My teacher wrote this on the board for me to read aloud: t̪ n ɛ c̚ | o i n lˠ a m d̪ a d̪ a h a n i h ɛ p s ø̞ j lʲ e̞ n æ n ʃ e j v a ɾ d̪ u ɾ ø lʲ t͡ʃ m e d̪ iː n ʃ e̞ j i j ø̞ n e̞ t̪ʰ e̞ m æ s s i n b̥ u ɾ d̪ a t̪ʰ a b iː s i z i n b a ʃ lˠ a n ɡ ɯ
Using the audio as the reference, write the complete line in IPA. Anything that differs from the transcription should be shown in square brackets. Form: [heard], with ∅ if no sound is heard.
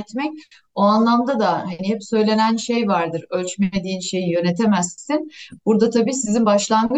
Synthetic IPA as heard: t̪ [m] ɛ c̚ | o [a] n lˠ a m d̪ a d̪ a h a n i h ɛ p s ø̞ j lʲ e̞ n æ n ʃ e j v a ɾ d̪ [ɯ] ɾ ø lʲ t͡ʃ m e d̪ iː n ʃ e̞ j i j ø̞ n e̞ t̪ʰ e̞ m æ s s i n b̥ u ɾ d̪ a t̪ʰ a b iː s i z i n b a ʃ lˠ a n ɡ ɯ